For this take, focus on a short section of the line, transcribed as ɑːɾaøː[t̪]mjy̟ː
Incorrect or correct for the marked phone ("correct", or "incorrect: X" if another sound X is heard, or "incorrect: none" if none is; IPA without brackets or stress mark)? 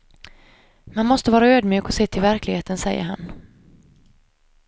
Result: incorrect: d̪